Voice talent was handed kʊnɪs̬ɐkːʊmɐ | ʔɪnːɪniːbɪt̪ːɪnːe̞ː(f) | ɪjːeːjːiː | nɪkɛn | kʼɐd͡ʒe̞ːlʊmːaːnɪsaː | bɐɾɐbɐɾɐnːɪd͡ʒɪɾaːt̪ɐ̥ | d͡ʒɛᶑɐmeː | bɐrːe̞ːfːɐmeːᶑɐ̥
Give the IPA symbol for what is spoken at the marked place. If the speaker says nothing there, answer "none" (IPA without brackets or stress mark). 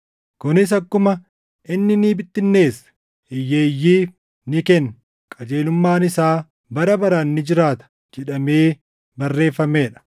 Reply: s